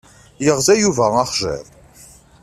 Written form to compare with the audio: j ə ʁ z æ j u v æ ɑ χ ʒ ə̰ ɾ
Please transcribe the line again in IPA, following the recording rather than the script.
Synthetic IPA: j ə ʁ z æ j u v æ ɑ χ ʒ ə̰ ɾ

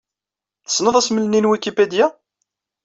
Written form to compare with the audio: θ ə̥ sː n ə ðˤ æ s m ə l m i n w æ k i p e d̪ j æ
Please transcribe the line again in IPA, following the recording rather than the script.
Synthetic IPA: θ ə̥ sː n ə ðˤ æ s m ə l n i n w i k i p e d̪ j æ

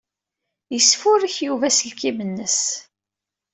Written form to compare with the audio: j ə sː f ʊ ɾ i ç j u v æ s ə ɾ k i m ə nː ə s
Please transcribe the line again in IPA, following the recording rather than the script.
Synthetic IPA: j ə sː f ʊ ɾ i ç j u v æ s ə l k i m ə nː ə s

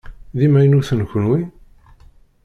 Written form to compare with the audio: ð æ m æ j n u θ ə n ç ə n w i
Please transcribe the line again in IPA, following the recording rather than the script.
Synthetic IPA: ð i m æ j n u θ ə n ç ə n w i

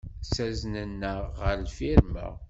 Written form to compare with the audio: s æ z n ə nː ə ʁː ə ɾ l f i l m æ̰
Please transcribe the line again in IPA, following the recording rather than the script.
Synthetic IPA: s æ z n ə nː ə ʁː ə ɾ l f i ɾ m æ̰

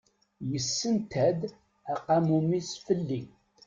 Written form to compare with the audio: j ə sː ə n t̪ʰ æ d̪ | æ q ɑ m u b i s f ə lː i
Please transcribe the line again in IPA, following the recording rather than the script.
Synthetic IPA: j ə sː ə n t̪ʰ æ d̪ | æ q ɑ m u m i s f ə lː i

